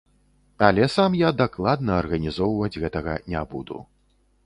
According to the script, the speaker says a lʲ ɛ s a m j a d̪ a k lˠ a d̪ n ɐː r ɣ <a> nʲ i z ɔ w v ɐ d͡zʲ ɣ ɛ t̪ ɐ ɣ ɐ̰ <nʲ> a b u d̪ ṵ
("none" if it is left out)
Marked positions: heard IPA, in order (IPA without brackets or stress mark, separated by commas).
ɐ, nʲ